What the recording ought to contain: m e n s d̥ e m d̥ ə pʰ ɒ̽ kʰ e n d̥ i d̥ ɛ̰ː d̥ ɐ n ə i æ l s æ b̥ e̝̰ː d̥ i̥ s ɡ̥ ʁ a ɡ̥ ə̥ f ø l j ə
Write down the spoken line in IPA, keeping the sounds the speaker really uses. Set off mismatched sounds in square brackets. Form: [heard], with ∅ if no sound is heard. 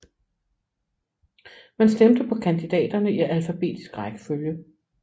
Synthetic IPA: m [æ] n s d̥ e m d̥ ə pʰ ɒ̽ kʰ [æ] n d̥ i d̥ ɛ̰ː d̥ ɐ n ə i æ l [f] æ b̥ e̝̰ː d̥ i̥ s ɡ̥ ʁ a ɡ̥ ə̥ f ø l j ə